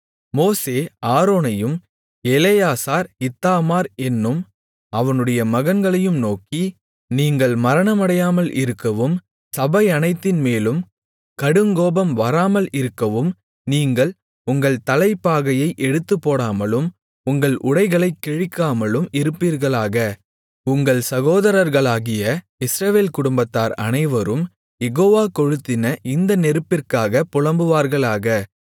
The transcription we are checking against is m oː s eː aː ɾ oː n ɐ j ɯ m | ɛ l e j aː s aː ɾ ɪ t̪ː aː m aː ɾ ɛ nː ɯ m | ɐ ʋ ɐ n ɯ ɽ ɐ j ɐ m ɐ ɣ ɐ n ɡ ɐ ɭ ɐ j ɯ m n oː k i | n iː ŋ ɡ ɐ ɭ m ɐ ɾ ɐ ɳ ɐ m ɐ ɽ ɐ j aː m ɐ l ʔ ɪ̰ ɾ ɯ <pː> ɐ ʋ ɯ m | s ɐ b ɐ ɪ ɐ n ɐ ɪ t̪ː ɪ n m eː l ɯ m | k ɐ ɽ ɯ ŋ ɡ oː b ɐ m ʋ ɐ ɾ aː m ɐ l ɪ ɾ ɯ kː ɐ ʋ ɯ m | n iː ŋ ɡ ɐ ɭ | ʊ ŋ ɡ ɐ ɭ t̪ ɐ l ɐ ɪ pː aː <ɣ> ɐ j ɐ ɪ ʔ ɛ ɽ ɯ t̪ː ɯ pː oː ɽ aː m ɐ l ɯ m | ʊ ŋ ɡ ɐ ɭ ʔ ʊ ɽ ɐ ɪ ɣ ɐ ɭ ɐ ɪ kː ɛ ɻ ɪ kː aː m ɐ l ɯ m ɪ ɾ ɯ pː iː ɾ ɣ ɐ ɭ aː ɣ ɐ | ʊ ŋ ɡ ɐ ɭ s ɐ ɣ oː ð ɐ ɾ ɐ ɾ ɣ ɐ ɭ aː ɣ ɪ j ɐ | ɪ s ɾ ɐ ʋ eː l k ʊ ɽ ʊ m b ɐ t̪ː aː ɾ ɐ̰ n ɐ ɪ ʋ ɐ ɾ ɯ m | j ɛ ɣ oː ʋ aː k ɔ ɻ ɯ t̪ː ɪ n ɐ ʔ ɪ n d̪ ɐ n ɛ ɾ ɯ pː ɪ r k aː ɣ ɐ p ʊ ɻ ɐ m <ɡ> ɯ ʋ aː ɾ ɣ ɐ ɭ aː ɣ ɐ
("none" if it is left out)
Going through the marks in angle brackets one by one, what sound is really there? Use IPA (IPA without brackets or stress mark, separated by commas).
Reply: kː, ɣ, b